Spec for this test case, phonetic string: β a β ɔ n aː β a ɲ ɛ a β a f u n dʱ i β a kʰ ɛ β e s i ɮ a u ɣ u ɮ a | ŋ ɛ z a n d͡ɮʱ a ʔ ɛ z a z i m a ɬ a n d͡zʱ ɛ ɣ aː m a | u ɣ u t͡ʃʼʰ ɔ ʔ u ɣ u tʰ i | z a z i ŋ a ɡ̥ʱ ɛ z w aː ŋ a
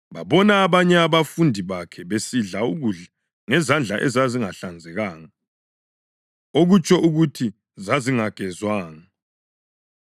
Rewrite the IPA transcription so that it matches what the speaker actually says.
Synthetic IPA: β a β ɔ n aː β a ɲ ɛ a β a f u n dʱ i β a kʰ ɛ β e s i ɮ a u ɣ u ɮ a | ŋ ɛ z a n d͡ɮʱ a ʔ ɛ z a z i ŋ a ɬ a n d͡zʱ ɛ ɣ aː ŋ a | o ɣ u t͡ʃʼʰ ɔ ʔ u ɣ u tʰ i | z a z i ŋ a ɡ̥ʱ ɛ z w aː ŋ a